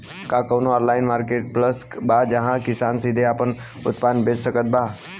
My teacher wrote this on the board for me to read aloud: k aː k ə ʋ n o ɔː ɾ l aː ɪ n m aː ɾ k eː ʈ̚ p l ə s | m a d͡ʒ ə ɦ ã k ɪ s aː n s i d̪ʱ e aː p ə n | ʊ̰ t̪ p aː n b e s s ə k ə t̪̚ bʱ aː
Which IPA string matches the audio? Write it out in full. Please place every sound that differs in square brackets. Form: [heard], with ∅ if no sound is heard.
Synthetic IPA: k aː k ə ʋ n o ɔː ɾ l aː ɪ n m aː ɾ k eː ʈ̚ p l ə s | [b] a d͡ʒ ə ɦ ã k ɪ s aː n s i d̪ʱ e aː p ə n | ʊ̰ t̪ p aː n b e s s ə k ə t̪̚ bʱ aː